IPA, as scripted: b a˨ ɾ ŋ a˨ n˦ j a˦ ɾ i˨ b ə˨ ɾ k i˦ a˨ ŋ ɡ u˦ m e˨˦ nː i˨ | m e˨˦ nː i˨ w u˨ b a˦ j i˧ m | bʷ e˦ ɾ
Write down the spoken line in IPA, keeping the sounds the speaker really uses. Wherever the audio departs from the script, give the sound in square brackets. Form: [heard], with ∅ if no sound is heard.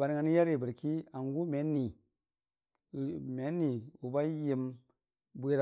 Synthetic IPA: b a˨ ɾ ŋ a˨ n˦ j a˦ ɾ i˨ b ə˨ ɾ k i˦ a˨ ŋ ɡ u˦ m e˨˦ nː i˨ | m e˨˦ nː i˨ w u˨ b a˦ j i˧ m | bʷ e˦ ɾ